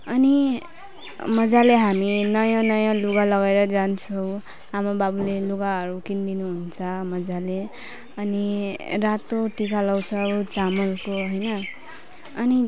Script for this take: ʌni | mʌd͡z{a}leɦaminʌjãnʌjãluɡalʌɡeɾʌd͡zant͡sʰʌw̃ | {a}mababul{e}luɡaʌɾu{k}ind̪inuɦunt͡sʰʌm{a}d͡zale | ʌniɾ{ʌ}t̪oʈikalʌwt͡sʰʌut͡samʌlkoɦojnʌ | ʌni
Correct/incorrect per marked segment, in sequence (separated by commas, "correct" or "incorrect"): correct, correct, correct, correct, incorrect, incorrect